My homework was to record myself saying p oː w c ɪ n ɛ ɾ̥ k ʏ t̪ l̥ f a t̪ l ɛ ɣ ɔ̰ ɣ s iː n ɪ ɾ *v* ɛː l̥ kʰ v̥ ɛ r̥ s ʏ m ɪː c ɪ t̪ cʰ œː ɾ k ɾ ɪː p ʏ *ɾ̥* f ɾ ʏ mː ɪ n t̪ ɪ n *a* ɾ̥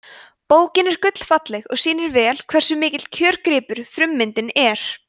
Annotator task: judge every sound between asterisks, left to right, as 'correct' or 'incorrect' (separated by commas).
correct, correct, incorrect